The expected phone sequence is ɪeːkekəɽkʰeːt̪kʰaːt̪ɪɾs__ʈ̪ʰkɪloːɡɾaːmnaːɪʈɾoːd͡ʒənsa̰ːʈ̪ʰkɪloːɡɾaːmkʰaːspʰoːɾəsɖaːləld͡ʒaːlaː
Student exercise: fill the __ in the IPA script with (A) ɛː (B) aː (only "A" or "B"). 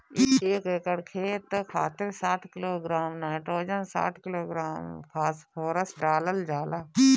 B